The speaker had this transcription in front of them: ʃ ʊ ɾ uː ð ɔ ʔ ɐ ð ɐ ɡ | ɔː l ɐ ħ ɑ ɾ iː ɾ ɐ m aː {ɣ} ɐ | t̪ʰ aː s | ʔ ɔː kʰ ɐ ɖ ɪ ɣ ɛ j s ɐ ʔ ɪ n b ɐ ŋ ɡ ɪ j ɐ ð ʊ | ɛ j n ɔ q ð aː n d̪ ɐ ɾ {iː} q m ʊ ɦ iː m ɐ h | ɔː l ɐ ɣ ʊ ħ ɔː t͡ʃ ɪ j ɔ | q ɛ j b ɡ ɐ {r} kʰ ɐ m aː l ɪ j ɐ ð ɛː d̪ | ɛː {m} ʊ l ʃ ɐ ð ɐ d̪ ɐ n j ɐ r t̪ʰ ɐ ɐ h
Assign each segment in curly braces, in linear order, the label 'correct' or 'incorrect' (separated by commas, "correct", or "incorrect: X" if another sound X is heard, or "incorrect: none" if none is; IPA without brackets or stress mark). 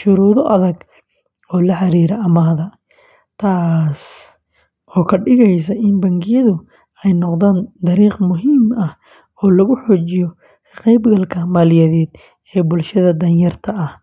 incorrect: ð, correct, incorrect: l, incorrect: b